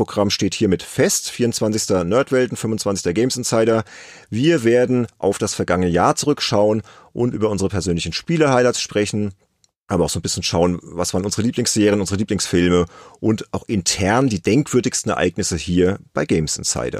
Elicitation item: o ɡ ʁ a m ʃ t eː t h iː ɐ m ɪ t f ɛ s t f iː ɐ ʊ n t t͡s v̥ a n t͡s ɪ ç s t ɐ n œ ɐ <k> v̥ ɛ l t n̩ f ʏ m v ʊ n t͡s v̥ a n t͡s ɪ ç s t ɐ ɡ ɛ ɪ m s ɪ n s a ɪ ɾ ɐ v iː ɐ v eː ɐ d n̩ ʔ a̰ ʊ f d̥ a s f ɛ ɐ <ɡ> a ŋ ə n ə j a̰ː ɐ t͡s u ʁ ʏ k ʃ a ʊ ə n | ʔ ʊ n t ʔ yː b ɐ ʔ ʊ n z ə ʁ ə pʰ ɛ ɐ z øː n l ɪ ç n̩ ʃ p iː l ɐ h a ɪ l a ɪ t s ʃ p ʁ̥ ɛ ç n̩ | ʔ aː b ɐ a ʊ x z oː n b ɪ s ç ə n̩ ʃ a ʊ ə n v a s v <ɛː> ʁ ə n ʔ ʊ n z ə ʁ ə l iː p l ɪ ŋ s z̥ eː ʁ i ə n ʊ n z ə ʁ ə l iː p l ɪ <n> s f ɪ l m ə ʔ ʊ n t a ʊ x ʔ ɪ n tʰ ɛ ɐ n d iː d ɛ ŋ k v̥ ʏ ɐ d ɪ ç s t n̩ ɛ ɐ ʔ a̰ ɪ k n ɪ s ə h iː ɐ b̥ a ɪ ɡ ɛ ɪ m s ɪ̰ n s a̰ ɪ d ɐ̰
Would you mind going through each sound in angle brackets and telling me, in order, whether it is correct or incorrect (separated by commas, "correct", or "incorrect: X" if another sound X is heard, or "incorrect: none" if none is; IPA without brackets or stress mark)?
incorrect: t, correct, incorrect: aː, incorrect: ŋ